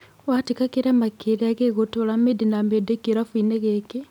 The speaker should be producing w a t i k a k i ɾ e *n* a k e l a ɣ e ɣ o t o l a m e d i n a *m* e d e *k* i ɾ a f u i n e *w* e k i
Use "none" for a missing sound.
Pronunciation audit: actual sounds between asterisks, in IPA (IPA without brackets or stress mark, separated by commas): m, m, k, ɣ